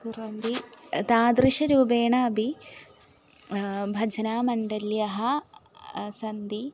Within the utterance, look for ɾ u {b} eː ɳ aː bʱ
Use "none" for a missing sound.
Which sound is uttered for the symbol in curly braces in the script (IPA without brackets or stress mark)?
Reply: b